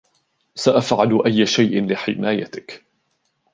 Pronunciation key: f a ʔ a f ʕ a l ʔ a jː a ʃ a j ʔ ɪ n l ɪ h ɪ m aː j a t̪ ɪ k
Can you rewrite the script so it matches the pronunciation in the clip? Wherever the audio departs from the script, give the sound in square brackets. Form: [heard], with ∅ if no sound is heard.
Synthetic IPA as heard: [s] a ʔ a f ʕ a l ʔ a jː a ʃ a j ʔ ɪ n l ɪ [ħ] ɪ m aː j a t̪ ɪ k